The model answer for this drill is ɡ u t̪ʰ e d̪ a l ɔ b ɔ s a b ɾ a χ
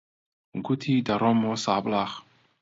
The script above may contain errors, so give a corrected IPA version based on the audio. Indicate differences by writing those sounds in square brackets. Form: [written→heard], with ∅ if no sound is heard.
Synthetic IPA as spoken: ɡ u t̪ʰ [e→i] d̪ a [l→ɾ] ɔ [b→m] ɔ s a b [ɾ→l] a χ